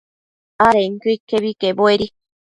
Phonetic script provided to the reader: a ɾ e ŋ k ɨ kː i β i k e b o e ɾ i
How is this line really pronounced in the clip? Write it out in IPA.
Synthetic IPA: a ɾ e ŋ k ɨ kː e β i k e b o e ɾ i